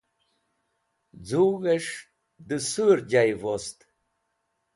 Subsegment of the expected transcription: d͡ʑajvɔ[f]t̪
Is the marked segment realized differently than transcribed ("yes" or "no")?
yes